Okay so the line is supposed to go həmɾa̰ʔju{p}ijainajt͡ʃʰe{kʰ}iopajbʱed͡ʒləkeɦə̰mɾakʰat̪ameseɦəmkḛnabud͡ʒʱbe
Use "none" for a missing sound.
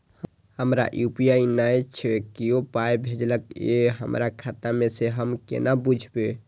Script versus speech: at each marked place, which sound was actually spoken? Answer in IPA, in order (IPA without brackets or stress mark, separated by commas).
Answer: p, k